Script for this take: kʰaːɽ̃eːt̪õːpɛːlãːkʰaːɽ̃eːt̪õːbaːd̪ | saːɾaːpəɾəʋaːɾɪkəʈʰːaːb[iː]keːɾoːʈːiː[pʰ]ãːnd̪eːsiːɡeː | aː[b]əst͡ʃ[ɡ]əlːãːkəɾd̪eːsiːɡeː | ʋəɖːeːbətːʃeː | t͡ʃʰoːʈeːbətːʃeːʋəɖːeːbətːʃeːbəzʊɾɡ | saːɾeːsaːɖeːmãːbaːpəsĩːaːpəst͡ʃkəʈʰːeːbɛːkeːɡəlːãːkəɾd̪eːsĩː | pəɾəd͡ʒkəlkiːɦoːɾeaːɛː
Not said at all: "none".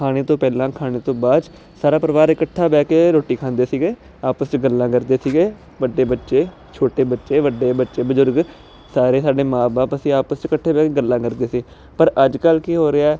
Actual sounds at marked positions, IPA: ɛː, kʰ, p, ɡ

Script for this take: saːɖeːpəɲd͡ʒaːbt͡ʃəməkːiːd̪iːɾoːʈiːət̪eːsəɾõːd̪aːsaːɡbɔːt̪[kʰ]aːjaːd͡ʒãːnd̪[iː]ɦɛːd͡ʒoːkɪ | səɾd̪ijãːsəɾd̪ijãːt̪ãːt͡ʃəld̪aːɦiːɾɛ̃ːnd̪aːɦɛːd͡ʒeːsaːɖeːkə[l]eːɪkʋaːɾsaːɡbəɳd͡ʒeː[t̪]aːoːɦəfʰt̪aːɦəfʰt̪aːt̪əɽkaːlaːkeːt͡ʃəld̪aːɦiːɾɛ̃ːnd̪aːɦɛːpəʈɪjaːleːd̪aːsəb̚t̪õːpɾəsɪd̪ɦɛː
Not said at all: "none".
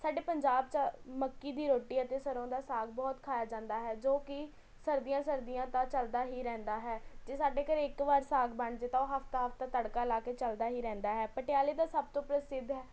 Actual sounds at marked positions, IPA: kʰ, aː, ɾ, t̪

